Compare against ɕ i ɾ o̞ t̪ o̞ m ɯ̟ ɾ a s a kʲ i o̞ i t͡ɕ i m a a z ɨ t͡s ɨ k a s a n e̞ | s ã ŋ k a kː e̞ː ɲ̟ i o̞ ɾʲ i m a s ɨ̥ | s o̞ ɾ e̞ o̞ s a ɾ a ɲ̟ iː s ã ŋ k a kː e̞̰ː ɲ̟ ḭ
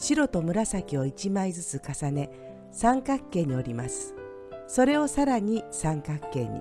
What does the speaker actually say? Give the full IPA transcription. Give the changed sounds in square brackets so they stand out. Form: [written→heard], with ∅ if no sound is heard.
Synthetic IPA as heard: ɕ i ɾ o̞ t̪ o̞ m ɯ̟ ɾ a s a kʲ i o̞ i t͡ɕ i m a [a→i] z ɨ t͡s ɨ k a s a n e̞ | s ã ŋ k a kː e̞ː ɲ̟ i o̞ ɾʲ i m a s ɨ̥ | s o̞ ɾ e̞ o̞ s a ɾ a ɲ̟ [iː→i] s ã ŋ k a kː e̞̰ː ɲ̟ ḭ

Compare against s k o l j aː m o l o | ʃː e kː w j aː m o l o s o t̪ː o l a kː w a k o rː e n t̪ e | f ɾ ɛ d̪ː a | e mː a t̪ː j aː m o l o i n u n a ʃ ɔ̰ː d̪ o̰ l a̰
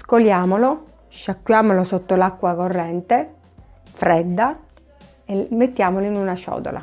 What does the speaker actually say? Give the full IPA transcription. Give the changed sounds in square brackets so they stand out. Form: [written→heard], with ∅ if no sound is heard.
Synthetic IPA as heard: s k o l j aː m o l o | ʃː [e→a] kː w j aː m o l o s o t̪ː o l a kː w a k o rː [e→ɛ] n t̪ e | f ɾ ɛ d̪ː a | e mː [a→e] t̪ː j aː m o l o i n u n a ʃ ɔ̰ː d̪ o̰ l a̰

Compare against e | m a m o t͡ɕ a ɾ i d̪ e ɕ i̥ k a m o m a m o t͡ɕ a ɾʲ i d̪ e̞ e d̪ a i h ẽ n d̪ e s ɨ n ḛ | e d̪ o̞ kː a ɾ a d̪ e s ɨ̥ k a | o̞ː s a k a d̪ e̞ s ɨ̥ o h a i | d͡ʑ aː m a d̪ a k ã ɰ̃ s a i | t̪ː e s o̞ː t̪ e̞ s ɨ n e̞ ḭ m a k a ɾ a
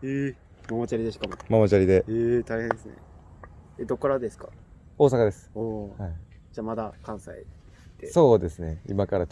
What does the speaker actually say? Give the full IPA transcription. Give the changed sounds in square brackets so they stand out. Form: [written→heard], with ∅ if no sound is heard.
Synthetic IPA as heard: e | m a m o t͡ɕ a ɾ i d̪ e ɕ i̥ k a m o m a m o t͡ɕ a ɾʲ i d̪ e̞ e [d̪→t̪] a i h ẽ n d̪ e s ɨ n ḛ | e d̪ o̞ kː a ɾ a d̪ e s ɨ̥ k a | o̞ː s a k a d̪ e̞ s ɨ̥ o h a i | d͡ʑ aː m a d̪ a k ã ɰ̃ s a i | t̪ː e s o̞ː [t̪→d̪] e̞ s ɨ n e̞ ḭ m a k a ɾ a

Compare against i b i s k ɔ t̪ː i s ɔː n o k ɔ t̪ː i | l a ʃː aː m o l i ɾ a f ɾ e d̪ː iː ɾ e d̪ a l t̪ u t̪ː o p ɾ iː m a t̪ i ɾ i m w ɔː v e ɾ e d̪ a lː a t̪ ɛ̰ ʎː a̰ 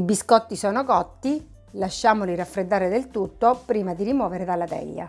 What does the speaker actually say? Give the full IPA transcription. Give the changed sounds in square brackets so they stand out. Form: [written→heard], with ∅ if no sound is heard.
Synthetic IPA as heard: i b i s k ɔ t̪ː i s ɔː n o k ɔ t̪ː i | l a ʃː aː m o l i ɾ a f ɾ e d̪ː [iː→aː] ɾ e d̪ [a→e] l t̪ u t̪ː o p ɾ iː m a [t̪→d̪] i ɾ i m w ɔː v e ɾ e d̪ a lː a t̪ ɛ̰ ʎː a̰

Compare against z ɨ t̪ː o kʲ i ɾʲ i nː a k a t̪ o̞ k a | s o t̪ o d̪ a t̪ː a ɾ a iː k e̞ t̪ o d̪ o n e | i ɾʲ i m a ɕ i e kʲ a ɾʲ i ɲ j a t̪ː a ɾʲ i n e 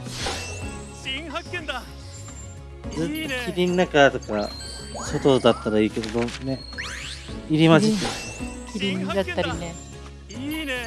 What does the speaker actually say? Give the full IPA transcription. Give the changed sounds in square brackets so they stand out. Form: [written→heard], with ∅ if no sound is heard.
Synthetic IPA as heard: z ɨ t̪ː o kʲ i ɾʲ i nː a k a t̪ o̞ k a | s o t̪ o d̪ a t̪ː a ɾ a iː k e̞ [t̪→d̪] o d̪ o n e | i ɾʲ i m a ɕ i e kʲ [a→i] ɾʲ i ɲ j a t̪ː a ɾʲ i n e

